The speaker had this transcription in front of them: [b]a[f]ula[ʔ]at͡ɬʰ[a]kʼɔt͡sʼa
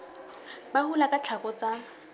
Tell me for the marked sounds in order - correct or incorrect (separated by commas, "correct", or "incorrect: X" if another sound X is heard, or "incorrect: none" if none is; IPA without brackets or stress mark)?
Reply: correct, incorrect: h, incorrect: k, correct